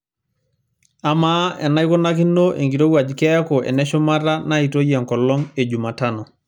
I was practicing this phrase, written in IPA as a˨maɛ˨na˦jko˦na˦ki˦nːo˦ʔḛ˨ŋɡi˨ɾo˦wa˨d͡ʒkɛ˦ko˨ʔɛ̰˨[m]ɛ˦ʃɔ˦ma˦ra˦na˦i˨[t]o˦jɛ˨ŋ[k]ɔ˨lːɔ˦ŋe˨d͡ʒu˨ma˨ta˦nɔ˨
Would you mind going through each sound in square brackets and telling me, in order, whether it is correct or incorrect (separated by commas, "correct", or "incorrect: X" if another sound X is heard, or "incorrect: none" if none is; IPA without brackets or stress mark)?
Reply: incorrect: n, correct, correct